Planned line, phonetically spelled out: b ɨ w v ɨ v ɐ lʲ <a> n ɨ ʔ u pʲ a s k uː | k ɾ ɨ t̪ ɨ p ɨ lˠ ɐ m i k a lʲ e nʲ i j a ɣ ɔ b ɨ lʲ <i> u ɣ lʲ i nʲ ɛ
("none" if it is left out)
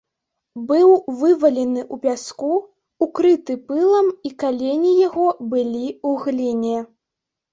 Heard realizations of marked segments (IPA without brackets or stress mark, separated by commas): ɛ, i